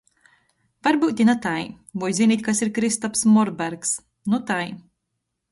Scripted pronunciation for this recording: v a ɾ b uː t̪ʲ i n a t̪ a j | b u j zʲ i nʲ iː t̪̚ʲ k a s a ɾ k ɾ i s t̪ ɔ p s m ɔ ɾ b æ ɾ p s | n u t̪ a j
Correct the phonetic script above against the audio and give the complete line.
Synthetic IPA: v a ɾ b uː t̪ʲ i n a t̪ a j | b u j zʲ i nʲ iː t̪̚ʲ k a s i ɾ k ɾ i s t̪ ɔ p s m ɔ ɾ b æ ɾ k s | n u t̪ a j